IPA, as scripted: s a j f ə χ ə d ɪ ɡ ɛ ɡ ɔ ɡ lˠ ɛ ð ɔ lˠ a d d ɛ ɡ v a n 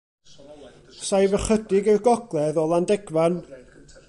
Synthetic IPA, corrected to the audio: s a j v ə χ ə d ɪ ɡ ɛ ɡ ɔ ɡ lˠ ɛ ð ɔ lˠ a n d ɛ ɡ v a n